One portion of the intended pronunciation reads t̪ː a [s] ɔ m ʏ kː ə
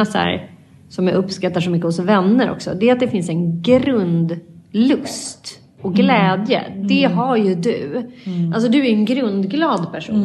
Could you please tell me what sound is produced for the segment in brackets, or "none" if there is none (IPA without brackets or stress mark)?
ʂ